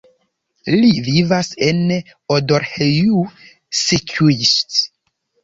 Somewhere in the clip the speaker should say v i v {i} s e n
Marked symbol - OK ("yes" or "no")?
no